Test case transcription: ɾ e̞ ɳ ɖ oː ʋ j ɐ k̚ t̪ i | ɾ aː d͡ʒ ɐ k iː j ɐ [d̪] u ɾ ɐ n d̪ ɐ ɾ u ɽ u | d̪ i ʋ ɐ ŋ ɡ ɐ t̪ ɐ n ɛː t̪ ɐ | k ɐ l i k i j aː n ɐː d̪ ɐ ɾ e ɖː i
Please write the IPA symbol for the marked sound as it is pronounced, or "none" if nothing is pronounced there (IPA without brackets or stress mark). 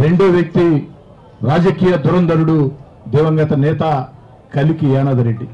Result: d̪